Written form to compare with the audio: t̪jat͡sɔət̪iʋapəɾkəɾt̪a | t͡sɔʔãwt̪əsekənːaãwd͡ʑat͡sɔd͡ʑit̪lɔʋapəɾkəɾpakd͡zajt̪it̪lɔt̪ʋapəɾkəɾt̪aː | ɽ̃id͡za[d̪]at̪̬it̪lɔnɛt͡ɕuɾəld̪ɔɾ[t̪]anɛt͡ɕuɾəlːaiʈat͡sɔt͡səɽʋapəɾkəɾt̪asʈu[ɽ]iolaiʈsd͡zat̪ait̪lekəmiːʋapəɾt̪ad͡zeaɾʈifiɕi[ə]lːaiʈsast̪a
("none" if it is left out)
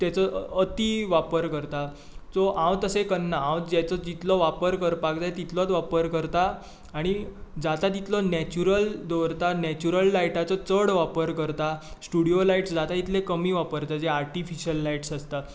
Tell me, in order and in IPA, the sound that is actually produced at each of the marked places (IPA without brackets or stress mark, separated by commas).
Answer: t̪, t̪, ɽ, ə